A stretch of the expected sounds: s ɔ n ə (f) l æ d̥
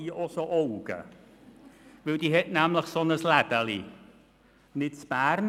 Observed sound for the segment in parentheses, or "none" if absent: s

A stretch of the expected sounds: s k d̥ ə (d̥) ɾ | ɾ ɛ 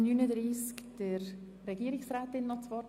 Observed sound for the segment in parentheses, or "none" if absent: none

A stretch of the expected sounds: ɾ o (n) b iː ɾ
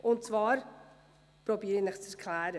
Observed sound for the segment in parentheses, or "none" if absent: none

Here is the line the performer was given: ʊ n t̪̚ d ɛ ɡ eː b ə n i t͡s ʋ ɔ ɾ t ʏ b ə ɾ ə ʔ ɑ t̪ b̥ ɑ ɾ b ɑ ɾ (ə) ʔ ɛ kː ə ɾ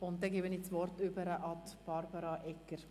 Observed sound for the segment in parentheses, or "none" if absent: ɑ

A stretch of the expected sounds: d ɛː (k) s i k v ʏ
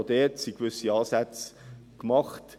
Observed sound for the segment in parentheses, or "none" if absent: t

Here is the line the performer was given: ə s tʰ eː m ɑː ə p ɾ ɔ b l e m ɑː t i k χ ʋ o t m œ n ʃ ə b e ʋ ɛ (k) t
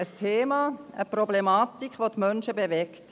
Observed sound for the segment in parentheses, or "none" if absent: k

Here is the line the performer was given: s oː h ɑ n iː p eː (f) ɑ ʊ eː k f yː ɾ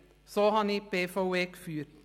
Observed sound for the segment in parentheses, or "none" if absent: f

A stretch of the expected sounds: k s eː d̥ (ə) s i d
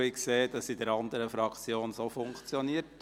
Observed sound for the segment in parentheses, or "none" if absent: ɑ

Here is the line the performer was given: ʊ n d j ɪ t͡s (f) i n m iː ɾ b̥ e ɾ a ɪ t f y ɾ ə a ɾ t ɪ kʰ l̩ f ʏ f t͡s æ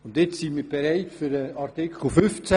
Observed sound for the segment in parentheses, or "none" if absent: s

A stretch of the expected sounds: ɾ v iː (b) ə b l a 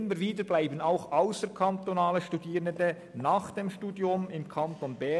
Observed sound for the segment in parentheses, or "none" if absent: d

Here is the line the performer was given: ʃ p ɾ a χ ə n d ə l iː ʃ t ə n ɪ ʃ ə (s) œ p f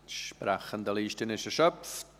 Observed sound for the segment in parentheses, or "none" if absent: ʃ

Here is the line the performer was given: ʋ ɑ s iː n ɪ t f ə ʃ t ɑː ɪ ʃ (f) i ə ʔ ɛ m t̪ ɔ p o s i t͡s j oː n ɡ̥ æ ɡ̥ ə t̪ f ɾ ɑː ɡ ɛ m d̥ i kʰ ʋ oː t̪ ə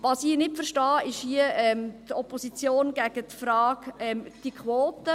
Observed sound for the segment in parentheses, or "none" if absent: h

